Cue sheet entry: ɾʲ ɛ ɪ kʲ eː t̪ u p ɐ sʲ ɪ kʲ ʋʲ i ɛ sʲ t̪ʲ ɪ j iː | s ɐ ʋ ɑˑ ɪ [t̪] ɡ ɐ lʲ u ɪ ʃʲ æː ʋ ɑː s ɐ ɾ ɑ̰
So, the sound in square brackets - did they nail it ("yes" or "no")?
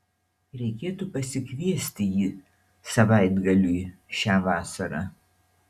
no